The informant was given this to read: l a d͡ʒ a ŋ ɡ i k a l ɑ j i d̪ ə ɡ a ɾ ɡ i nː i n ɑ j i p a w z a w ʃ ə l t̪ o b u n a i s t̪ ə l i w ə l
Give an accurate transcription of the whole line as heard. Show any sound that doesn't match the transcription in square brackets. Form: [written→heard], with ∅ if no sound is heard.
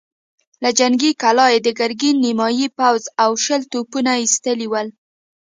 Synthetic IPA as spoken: l a d͡ʒ a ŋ ɡ i k a l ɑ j [i→e] d̪ ə ɡ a ɾ ɡ i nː i [n→m] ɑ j i p a w z a w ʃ ə l t̪ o [b→p] u n a i s t̪ ə l i w ə l